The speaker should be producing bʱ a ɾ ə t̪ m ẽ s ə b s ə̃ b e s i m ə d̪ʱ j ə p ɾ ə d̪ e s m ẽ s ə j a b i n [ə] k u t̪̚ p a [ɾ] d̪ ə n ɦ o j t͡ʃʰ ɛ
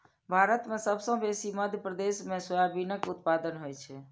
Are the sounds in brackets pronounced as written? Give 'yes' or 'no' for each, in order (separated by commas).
yes, no